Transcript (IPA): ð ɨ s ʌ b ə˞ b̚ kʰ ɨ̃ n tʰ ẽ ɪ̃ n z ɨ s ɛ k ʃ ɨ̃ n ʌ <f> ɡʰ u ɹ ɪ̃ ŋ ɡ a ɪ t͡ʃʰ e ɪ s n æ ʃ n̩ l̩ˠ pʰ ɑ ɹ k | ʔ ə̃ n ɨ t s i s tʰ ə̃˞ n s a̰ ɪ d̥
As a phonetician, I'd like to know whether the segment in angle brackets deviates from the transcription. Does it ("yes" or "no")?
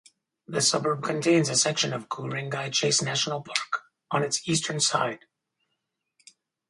yes